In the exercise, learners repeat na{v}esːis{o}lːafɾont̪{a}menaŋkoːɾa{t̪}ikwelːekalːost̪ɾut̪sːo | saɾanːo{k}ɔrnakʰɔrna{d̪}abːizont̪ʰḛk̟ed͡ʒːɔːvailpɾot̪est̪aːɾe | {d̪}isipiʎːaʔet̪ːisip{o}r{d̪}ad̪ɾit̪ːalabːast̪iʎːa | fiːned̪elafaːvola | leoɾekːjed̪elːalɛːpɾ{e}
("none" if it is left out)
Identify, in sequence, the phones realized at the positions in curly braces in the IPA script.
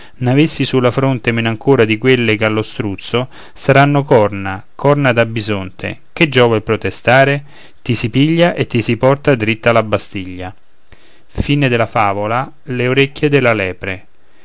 v, u, e, d̪, k, d̪, t̪, ɔ, t̪, e

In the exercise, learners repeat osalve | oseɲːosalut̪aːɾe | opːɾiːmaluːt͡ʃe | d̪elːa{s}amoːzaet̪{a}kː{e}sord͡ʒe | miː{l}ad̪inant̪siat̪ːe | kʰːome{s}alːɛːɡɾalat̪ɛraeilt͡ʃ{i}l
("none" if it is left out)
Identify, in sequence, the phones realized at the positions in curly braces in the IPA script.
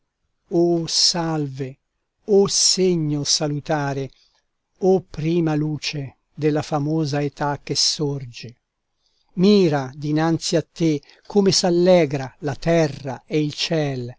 f, a, e, ɾ, s, ɛ

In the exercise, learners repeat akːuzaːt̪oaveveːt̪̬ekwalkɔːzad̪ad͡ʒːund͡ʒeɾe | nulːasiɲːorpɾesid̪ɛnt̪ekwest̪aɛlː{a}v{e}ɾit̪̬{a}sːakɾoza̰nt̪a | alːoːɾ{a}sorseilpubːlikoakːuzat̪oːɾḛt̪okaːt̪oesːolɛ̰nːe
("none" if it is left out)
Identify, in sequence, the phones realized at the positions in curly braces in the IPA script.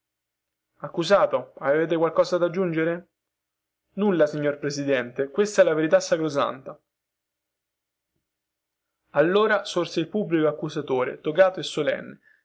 a, e, a, a

